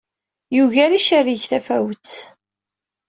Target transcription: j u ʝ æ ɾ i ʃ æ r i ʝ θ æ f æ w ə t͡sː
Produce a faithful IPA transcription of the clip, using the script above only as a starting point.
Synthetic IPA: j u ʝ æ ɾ i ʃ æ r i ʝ θ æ f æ w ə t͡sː